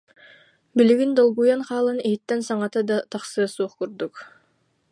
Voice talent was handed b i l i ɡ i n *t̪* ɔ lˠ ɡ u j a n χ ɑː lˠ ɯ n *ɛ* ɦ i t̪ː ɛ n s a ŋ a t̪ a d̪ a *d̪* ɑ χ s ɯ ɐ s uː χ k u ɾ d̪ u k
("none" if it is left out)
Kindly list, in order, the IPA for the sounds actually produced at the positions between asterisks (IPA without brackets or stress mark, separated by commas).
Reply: d̪, i, t̪